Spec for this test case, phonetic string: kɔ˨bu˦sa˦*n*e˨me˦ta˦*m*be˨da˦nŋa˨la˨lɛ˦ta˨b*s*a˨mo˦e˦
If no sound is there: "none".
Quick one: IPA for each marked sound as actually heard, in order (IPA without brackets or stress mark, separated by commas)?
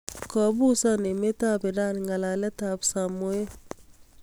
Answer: n, none, s